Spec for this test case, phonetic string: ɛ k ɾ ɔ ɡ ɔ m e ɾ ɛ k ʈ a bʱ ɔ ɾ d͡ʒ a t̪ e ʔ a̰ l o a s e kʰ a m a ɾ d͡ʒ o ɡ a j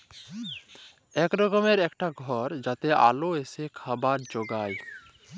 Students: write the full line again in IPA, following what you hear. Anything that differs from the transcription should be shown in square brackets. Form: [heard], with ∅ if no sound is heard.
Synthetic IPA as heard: ɛ k ɾ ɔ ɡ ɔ m e ɾ ɛ k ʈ a [ɡʱ] ɔ ɾ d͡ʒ a t̪ e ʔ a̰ l o [e] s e kʰ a [b] a ɾ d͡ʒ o ɡ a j